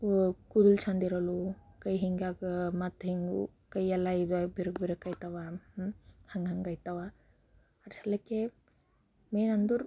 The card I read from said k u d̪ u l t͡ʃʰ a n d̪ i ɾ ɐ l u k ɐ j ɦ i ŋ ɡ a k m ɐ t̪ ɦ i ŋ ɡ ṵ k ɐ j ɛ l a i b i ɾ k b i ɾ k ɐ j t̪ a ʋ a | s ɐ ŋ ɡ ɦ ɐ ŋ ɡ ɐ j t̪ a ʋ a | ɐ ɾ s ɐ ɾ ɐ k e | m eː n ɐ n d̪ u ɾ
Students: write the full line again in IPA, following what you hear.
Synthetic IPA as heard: k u d̪ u l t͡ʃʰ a n d̪ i ɾ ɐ l u k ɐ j ɦ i ŋ ɡ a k m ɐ t̪ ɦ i ŋ ɡ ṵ k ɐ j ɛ l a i b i ɾ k b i ɾ k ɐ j t̪ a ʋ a | h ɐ ŋ ɡ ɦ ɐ ŋ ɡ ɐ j t̪ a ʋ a | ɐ ɾ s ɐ l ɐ k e | m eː n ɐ n d̪ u ɾ

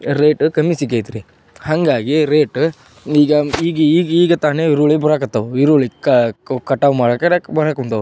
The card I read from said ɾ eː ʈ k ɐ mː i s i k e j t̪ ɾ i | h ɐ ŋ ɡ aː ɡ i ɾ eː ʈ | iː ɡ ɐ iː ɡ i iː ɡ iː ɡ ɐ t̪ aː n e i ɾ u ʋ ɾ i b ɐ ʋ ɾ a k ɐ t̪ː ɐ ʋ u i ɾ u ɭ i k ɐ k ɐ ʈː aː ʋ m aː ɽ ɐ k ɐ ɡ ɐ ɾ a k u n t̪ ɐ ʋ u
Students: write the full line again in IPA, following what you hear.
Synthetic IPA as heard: ɾ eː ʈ k ɐ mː i s i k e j t̪ ɾ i | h ɐ ŋ ɡ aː ɡ i ɾ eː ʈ | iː ɡ ɐ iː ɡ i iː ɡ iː ɡ ɐ t̪ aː n e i ɾ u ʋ ɭ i b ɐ ɾ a k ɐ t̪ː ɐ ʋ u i ɾ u ɭ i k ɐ k ɐ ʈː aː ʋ m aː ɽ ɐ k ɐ b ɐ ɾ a k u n t̪ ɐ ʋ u

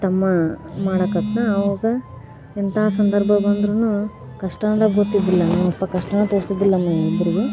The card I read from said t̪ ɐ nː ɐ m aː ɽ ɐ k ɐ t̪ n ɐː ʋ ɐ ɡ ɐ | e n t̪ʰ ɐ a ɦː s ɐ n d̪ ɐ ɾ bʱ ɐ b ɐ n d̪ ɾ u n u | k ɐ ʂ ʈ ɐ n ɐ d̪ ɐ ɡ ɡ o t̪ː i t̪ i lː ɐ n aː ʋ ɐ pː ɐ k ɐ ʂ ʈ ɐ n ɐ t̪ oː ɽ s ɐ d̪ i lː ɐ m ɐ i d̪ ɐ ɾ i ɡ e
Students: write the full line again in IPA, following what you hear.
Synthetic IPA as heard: t̪ ɐ mː ɐ m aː ɽ ɐ k ɐ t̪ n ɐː ʋ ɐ ɡ ɐ | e n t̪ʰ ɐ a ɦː s ɐ n d̪ ɐ ɾ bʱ ɐ b ɐ n d̪ ɾ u n u | k ɐ ʂ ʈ ɐ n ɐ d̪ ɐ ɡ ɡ o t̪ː i d̪ i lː ɐ n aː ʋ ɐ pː ɐ k ɐ ʂ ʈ ɐ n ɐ t̪ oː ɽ s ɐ d̪ i lː ɐ m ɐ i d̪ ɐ ɾ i ɡ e

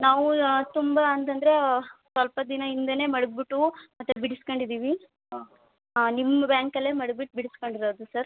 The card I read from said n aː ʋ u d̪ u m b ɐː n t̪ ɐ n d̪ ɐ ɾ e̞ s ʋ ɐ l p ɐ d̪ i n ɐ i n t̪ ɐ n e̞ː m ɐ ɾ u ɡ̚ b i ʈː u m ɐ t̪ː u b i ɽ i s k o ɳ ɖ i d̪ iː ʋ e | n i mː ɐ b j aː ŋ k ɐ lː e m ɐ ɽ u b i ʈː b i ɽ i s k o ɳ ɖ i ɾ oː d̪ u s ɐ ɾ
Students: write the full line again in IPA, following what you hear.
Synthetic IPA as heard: n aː ʋ u t̪ u m b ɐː n t̪ ɐ n d̪ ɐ ɾ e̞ s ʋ ɐ l p ɐ d̪ i n ɐ i n d̪ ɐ n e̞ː m ɐ ɽ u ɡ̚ b i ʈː u m ɐ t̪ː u b i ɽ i s k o ɳ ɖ i d̪ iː ʋ i | n i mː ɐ b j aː ŋ k ɐ lː e m ɐ ɽ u b i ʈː b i ɽ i s k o ɳ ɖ i ɾ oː d̪ u s ɐ ɾ

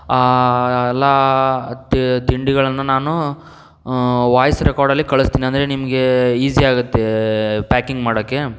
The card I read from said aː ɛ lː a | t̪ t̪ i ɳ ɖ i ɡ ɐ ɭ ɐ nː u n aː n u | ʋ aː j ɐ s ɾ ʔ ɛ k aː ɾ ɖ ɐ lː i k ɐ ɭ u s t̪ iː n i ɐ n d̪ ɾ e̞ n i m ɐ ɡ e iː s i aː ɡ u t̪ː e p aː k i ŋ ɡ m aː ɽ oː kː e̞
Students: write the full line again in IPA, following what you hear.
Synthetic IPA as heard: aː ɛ lː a | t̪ t̪ i ɳ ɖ i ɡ ɐ ɭ ɐ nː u n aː n u | ʋ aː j ɐ s ɾ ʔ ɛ k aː ɾ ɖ ɐ lː i k ɐ ɭ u s t̪ iː n i ɐ n d̪ ɾ e̞ n i m ɐ ɡ e iː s i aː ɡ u t̪ː e p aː k i ŋ ɡ m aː ɽ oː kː e̞

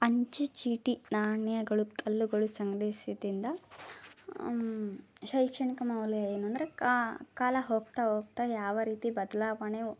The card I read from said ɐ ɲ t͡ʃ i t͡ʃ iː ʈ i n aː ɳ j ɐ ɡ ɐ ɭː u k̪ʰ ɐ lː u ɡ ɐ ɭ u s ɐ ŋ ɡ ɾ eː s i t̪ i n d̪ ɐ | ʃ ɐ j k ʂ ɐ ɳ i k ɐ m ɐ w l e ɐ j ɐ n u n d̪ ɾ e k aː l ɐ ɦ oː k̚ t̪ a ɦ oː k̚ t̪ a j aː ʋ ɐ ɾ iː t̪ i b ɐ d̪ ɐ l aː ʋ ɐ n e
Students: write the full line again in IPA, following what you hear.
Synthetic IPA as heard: ɐ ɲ t͡ʃ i t͡ʃ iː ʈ i n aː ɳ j ɐ ɡ ɐ ɭ u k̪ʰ ɐ lː u ɡ ɐ ɭ u s ɐ ŋ ɡ ɾ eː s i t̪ i n d̪ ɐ | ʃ ɐ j k ʂ ɐ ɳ i k ɐ m ɐ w l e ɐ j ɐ n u n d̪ ɾ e k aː l ɐ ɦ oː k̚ t̪ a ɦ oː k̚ t̪ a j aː ʋ ɐ ɾ iː t̪ i b ɐ d̪ ɐ l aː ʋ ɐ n e

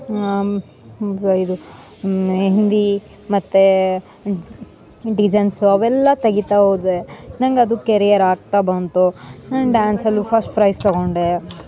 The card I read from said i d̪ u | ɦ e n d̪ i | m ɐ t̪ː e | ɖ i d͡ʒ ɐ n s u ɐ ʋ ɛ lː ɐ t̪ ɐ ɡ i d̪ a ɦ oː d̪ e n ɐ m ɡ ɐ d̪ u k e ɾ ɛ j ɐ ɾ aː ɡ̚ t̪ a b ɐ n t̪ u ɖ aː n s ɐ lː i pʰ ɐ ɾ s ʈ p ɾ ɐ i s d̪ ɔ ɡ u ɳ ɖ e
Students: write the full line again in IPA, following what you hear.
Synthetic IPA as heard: i d̪ u | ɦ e n d̪ i | m ɐ t̪ː e | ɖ i d͡ʒ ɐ n s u ɐ ʋ ɛ lː ɐ t̪ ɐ ɡ i t̪ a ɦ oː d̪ e n ɐ ŋ ɡ ɐ d̪ u k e ɾ i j ɐ ɾ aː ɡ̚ t̪ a b ɐ n t̪ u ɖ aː n s ɐ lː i pʰ ɐ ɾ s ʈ p ɾ ɐ j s t̪ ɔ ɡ o ɳ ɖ e

